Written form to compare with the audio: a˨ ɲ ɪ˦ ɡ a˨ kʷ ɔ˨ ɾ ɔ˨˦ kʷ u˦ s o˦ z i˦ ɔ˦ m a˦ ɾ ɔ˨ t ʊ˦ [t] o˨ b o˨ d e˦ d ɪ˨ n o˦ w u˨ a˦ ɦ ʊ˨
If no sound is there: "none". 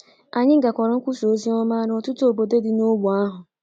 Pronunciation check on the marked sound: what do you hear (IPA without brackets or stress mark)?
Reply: t